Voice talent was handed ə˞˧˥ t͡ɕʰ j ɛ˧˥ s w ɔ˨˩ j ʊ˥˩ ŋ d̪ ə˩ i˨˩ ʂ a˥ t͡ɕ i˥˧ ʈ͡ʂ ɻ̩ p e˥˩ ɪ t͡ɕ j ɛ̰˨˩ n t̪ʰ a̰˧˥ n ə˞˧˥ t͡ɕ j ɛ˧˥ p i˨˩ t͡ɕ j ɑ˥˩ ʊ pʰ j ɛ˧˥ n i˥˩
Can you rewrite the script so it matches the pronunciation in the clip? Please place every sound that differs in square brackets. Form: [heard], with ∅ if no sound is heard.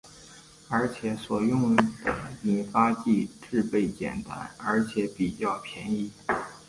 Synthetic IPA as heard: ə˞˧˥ t͡ɕʰ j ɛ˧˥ s w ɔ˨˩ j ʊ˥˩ ŋ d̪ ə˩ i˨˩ [f] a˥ t͡ɕ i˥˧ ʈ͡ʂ ɻ̩ p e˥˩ ɪ t͡ɕ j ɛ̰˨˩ n [t̪] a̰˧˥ n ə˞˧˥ [t͡ɕʰ] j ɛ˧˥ p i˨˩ t͡ɕ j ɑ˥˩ ʊ pʰ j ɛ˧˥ n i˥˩